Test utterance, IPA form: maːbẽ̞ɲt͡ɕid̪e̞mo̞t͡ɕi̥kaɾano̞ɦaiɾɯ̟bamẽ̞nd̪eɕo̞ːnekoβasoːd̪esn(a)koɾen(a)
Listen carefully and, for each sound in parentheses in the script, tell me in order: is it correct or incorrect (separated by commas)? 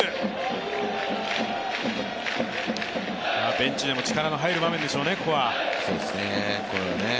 incorrect, incorrect